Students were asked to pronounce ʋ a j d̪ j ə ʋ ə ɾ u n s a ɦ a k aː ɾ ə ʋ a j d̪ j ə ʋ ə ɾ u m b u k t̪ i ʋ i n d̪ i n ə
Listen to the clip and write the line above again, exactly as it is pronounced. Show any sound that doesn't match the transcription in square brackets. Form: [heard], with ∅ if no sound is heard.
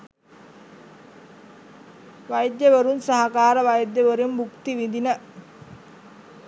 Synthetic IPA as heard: ʋ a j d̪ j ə ʋ ə ɾ u n s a ɦ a k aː ɾ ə ʋ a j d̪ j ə ʋ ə ɾ u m b u k t̪ i ʋ i n d̪ i n ə